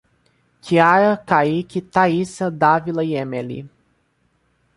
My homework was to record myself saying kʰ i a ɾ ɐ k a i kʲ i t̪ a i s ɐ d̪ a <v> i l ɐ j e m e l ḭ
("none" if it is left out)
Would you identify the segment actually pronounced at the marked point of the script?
v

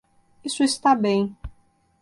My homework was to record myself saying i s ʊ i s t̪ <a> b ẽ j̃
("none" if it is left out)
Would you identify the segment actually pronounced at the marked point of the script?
a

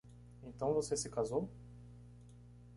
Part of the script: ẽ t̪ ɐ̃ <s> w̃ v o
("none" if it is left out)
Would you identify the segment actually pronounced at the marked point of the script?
none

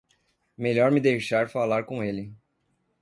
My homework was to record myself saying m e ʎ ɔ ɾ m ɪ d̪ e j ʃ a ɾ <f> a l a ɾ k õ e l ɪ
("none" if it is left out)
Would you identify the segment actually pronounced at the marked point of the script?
f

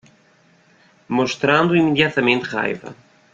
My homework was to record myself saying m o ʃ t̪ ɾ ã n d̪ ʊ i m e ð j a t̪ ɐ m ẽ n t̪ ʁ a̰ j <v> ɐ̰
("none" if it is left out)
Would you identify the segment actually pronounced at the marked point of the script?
v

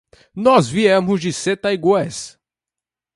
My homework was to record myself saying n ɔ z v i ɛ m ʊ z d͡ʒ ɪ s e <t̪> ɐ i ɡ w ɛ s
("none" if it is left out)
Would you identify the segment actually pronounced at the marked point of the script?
t̪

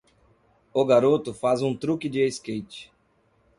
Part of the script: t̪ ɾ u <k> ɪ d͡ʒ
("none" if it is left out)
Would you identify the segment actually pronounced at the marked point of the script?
k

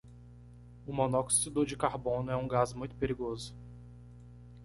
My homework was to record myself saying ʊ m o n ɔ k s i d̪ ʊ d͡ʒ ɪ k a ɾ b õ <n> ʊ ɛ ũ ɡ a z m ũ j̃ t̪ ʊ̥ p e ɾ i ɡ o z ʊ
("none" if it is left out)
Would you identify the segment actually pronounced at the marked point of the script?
n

